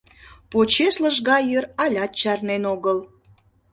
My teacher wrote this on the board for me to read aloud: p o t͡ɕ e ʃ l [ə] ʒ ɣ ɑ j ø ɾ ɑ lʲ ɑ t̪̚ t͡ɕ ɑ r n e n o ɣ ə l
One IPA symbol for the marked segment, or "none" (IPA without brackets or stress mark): ə